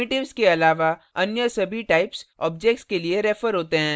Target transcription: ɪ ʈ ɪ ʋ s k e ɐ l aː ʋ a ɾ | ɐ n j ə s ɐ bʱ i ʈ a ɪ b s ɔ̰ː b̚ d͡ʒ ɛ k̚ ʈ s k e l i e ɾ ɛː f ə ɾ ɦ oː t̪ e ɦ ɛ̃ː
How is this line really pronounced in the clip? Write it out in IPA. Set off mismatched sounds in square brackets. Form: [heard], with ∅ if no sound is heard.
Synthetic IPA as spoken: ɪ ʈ ɪ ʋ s k e ɐ l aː ʋ a [∅] | ɐ n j ə s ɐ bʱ i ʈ a ɪ [p] s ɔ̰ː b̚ d͡ʒ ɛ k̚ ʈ s k e l i e ɾ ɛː f ə ɾ ɦ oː t̪ e ɦ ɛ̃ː